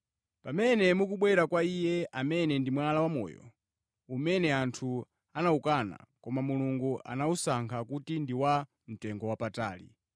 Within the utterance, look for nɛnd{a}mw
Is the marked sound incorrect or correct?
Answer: incorrect